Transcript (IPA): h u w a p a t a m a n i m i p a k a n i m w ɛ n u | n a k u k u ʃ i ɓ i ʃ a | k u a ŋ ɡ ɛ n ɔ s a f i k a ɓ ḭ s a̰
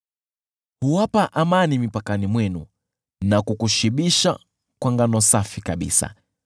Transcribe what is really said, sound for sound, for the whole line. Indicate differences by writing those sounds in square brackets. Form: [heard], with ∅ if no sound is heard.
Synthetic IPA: h u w a p a [ʔ] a m a n i m i p a k a n i m w ɛ n u | n a k u k u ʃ i ɓ i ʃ a | k [w] a ŋ ɡ [a] n ɔ s a f i k a ɓ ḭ s a̰